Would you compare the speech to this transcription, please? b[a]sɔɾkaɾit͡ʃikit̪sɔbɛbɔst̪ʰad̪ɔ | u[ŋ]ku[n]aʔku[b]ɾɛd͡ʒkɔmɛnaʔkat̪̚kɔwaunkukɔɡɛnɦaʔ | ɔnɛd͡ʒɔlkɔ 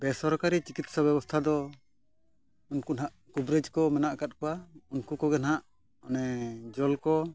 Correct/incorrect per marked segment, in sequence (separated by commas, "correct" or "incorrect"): incorrect, incorrect, correct, correct